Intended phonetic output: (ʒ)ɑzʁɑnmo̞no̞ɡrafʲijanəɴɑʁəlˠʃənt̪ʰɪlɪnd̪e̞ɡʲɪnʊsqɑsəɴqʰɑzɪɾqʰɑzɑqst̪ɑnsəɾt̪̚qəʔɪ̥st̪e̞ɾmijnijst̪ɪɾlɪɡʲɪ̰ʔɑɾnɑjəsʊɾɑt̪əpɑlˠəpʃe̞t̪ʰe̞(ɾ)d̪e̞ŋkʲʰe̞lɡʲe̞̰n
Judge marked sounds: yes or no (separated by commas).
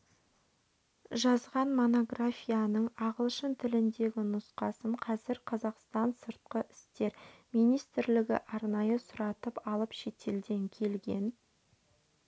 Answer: yes, no